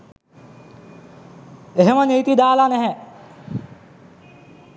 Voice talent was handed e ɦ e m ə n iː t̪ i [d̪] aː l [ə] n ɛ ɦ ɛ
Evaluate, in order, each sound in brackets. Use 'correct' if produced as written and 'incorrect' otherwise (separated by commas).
correct, incorrect